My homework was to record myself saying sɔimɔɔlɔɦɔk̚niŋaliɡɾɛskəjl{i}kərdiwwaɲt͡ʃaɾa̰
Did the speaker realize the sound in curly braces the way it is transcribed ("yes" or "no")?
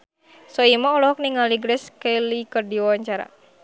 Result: yes